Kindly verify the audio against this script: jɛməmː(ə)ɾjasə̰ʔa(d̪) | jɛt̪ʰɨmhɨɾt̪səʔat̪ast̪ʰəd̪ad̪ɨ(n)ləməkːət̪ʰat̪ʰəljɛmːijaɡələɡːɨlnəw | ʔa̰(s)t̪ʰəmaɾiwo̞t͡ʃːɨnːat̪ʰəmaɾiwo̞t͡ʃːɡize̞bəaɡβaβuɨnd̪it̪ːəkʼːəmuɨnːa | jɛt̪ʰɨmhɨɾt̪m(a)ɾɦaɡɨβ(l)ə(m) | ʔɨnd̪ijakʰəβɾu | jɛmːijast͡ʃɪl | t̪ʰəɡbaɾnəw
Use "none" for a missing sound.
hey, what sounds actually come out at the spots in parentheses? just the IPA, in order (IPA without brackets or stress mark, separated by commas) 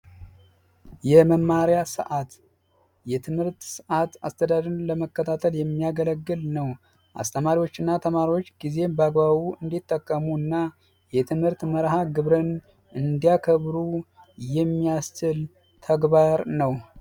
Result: a, t̪, n, s, ə, ɾ, n